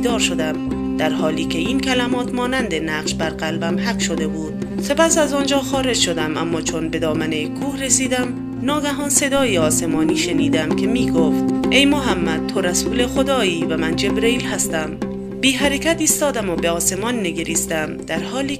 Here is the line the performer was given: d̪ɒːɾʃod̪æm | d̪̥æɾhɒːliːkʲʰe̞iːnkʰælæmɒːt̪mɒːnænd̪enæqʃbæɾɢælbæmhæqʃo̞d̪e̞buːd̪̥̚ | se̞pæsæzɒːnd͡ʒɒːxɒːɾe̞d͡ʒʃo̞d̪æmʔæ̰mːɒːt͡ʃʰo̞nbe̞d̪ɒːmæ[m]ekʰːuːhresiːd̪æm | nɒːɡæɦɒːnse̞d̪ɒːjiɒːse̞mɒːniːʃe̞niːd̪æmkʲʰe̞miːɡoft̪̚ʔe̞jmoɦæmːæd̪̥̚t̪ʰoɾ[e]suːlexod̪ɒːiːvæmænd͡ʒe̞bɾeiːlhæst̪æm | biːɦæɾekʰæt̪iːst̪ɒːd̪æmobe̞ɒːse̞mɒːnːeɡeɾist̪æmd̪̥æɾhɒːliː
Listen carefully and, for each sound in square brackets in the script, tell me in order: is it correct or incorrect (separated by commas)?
incorrect, incorrect